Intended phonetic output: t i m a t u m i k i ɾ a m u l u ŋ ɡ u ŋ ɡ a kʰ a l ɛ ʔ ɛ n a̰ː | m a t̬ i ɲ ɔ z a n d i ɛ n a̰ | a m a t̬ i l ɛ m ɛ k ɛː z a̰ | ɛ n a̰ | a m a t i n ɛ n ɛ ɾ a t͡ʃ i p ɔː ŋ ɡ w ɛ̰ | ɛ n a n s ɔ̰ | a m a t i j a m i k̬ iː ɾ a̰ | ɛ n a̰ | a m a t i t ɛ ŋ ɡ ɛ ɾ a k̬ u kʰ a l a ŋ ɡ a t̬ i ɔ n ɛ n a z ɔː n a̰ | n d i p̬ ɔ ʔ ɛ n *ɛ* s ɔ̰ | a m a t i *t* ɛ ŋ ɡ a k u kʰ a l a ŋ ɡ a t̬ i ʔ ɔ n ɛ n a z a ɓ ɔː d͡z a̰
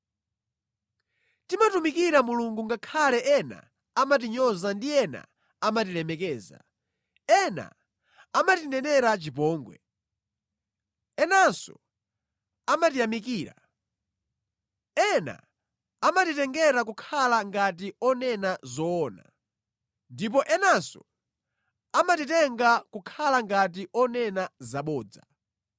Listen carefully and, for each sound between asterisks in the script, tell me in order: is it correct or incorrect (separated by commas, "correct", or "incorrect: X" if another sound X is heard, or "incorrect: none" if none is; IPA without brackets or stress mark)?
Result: incorrect: a, correct